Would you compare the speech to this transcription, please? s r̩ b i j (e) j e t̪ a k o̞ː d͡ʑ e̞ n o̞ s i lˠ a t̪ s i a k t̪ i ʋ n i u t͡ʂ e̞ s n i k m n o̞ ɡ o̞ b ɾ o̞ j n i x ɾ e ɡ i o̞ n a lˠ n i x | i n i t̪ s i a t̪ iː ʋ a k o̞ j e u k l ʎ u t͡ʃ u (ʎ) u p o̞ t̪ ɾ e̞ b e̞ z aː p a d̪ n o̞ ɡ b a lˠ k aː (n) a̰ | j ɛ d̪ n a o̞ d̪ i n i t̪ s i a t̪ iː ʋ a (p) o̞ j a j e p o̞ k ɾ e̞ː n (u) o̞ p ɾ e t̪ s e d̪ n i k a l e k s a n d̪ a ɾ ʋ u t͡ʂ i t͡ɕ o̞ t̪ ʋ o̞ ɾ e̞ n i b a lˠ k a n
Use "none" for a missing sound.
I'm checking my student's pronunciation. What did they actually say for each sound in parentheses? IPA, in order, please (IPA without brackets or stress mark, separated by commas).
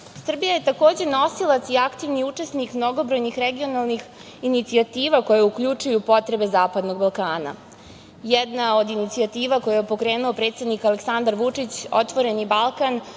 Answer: a, j, n, k, u